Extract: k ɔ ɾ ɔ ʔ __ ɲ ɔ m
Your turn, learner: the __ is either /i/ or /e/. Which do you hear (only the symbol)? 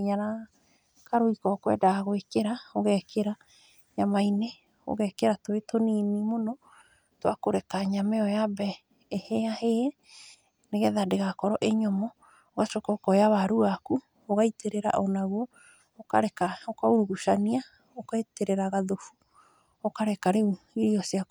e